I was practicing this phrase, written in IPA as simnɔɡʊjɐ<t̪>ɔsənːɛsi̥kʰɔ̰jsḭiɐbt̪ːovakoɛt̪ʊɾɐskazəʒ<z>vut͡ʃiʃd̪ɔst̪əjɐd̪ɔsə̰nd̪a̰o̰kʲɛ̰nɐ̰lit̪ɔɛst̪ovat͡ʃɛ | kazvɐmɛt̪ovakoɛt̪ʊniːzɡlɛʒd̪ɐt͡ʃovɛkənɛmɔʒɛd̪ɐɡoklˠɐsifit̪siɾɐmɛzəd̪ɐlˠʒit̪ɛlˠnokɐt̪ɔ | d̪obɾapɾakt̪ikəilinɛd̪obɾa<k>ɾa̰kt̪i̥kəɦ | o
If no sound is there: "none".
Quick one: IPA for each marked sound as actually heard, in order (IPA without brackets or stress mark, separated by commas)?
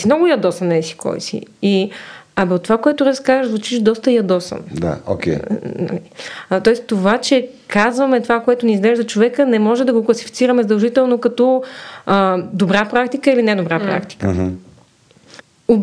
d̪, z, p